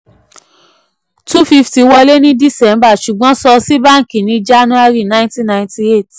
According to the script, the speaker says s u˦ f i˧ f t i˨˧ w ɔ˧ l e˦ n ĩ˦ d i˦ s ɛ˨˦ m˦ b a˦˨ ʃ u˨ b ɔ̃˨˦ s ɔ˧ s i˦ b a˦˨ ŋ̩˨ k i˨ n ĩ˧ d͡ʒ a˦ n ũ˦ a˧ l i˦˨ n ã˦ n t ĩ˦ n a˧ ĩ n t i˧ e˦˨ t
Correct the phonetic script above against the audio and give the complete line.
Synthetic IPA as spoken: t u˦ f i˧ f t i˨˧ w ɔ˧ l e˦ n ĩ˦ d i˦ s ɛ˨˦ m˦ b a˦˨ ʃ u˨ ɡ͡b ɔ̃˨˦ s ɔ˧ s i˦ b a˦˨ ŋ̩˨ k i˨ n ĩ˧ d͡ʒ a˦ n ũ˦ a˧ ɾ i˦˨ n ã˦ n t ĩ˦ n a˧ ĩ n t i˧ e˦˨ t